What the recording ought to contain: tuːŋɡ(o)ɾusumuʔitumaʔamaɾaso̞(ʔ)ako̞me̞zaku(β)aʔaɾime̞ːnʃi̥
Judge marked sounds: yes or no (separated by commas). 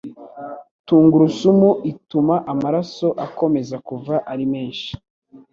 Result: no, yes, no